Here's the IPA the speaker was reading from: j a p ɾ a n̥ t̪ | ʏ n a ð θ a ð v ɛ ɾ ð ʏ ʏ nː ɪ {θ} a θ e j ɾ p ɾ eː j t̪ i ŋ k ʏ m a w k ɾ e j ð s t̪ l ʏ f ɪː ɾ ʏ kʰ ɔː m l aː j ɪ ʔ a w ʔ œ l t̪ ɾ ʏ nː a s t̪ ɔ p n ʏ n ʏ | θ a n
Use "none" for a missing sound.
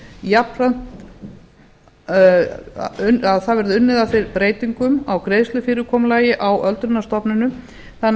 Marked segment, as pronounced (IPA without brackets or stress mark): ð